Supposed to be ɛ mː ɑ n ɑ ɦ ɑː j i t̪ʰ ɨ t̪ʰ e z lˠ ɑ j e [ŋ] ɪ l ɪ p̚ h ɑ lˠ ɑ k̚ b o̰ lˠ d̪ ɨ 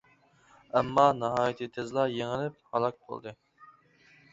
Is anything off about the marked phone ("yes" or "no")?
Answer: no